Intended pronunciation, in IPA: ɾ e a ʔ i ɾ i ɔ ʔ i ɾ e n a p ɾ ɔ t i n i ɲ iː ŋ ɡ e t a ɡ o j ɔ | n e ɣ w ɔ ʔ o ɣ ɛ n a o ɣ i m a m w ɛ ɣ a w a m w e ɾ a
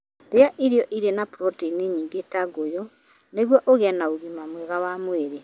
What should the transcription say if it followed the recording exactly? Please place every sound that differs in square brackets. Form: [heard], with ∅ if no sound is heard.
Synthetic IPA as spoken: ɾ e a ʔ i ɾ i ɔ ʔ i ɾ e n a p ɾ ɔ t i n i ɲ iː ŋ ɡ e t a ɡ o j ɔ | n e ɣ w ɔ ʔ o ɣ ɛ n a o ɣ i m a m w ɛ ɣ a w a m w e ɾ [e]